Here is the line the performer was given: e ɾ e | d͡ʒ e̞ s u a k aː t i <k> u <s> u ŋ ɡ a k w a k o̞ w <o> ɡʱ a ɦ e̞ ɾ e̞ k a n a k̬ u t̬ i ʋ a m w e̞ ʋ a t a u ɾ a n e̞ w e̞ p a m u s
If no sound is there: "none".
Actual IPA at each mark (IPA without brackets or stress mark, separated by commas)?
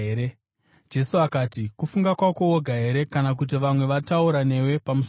k, f, o